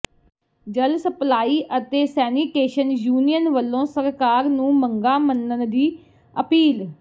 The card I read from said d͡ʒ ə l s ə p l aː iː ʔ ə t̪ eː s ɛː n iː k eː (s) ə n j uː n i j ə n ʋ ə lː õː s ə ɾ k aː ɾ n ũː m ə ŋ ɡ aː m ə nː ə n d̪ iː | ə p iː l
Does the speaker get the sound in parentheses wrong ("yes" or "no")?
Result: yes